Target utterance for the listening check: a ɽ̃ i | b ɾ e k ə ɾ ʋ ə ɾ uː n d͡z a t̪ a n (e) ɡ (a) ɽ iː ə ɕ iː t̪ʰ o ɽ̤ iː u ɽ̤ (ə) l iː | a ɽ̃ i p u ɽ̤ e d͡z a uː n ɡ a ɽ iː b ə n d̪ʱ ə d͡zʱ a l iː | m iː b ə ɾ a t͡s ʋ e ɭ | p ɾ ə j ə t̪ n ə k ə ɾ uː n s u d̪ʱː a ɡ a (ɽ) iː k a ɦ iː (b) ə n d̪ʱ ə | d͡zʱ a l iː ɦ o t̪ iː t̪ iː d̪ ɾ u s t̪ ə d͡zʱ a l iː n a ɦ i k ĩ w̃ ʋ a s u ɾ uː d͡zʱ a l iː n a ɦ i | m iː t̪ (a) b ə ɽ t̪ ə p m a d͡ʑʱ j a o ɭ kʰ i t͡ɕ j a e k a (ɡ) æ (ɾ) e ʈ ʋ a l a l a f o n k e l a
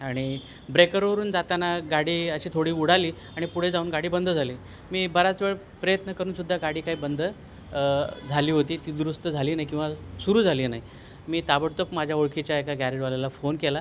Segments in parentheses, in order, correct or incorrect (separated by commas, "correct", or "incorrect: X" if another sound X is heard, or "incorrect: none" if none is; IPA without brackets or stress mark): incorrect: a, correct, incorrect: a, correct, correct, correct, correct, correct